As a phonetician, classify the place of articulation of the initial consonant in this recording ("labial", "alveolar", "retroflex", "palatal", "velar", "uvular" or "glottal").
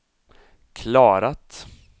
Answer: velar